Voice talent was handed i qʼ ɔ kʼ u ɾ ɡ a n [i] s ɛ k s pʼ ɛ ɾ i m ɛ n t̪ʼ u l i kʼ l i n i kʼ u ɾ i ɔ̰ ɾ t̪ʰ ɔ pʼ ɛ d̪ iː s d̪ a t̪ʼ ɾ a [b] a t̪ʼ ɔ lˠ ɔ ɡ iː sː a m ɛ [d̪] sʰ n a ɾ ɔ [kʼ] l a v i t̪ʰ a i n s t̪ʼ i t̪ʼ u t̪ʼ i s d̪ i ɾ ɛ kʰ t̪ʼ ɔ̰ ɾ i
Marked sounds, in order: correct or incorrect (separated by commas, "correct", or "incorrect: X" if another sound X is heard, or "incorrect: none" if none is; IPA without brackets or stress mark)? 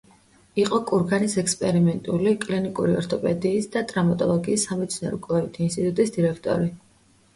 correct, incorrect: m, incorrect: t̪, correct